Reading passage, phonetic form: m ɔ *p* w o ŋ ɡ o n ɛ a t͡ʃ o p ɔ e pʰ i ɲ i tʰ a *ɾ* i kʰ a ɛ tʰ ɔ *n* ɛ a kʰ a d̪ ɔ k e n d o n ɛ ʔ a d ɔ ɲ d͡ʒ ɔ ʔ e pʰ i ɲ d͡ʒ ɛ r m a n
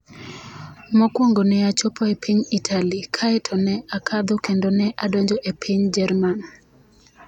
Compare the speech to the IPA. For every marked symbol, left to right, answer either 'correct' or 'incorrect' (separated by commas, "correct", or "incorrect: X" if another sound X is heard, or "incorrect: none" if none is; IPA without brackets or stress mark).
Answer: incorrect: k, incorrect: l, correct